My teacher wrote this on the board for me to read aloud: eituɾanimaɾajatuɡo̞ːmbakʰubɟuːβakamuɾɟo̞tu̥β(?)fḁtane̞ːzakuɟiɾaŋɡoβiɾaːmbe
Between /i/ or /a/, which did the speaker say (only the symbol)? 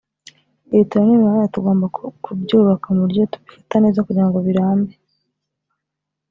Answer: i